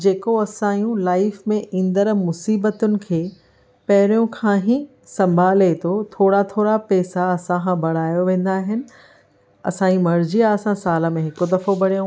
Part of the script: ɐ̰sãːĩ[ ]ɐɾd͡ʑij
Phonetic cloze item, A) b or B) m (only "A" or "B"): B